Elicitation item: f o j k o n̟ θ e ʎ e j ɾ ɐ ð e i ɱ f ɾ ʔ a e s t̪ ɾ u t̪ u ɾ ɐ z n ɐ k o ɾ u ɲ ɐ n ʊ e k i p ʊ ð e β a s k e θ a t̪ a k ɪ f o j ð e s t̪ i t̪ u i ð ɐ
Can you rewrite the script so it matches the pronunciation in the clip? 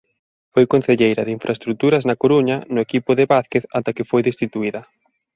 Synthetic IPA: f o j k o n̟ θ e ʎ e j ɾ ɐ ð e i ɱ f ɾ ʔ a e s t̪ ɾ u t̪ u ɾ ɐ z n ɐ k o ɾ u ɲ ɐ n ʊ e k i p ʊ ð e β a θ k e θ a t̪ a k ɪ f o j ð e s t̪ i t̪ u i ð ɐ